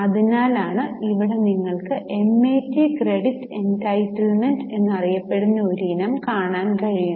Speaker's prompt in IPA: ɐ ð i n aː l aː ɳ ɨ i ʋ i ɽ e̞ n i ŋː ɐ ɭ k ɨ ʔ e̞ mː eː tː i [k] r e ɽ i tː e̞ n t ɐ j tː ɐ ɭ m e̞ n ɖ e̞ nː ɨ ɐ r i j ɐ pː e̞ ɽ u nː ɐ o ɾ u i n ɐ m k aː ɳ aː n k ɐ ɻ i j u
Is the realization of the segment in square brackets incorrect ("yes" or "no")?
no